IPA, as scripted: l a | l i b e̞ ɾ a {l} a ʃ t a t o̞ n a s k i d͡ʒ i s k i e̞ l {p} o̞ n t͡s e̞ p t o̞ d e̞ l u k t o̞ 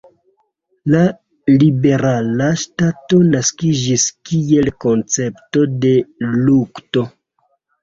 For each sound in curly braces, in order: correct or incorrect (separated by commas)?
correct, incorrect